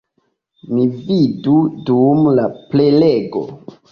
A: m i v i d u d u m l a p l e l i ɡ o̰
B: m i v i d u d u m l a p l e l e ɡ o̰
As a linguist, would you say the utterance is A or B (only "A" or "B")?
B